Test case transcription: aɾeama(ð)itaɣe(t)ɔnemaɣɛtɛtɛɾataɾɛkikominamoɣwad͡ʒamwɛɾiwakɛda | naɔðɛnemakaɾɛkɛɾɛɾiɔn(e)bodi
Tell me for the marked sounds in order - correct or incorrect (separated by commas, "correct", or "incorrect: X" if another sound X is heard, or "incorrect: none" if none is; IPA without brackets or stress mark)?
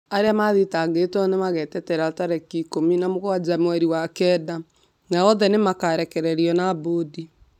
correct, correct, incorrect: a